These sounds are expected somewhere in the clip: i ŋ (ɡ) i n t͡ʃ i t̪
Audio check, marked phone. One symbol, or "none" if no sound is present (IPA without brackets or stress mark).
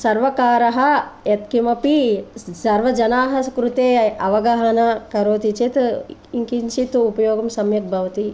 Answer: k